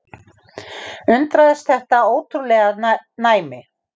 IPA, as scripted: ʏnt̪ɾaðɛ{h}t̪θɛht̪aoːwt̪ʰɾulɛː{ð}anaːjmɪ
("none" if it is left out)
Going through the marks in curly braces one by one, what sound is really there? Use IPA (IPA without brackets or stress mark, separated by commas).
s, ɣ